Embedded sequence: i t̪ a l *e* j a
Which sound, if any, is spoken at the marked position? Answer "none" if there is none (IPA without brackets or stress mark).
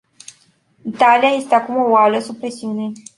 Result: i